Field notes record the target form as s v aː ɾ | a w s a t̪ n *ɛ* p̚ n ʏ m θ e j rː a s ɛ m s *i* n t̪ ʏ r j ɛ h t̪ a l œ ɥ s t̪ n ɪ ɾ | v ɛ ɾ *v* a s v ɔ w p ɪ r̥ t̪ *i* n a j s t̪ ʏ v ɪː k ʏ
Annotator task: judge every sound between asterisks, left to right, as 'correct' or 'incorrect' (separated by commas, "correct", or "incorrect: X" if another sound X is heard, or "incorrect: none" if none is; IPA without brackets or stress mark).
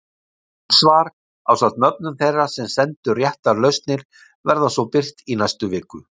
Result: incorrect: œ, incorrect: ɛ, incorrect: ð, correct